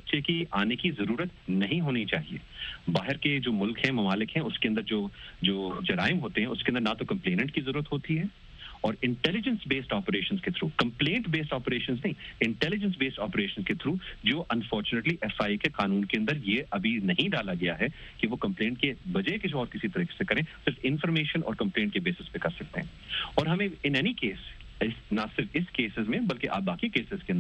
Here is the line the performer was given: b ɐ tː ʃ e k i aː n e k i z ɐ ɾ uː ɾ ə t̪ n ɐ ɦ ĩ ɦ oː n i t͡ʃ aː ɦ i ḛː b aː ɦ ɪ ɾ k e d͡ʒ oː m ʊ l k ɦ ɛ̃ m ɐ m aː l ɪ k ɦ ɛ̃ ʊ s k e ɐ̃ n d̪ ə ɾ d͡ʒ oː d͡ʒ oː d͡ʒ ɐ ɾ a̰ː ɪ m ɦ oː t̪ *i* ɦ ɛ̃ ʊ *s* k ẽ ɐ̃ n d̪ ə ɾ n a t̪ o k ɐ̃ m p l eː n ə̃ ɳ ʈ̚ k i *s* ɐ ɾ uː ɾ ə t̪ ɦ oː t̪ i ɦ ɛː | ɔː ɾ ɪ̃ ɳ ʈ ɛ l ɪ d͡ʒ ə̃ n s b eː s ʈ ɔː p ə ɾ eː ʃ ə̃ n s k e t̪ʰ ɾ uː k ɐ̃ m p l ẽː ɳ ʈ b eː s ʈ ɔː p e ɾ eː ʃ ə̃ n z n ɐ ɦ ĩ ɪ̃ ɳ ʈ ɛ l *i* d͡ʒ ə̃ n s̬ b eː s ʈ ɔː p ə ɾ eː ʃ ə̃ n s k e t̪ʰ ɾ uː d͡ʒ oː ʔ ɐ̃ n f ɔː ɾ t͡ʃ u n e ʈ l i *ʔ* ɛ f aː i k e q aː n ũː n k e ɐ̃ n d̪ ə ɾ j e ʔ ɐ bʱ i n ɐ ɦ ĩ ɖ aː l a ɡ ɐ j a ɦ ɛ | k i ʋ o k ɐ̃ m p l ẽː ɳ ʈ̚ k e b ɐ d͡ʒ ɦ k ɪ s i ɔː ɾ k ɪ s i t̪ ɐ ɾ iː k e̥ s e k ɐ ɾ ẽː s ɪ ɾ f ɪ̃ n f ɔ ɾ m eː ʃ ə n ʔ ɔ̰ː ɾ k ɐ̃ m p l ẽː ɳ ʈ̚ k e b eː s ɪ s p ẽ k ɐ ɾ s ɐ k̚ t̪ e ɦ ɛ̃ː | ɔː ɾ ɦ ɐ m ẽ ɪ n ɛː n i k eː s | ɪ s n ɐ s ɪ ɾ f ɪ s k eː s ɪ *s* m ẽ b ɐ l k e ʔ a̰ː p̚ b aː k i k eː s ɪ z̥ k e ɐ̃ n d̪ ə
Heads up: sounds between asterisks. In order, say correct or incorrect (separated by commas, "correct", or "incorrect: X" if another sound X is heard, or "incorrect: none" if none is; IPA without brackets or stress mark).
incorrect: e, correct, incorrect: z, incorrect: ɪ, correct, incorrect: z